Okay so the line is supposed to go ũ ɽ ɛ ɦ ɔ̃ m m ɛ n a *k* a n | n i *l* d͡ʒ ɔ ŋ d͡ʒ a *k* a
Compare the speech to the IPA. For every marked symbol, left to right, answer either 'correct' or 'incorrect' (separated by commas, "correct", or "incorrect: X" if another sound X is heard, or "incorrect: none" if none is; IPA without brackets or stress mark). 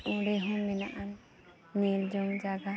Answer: incorrect: ʔ, correct, incorrect: ɡ